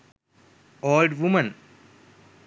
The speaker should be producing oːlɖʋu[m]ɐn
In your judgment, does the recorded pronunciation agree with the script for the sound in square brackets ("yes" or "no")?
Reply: yes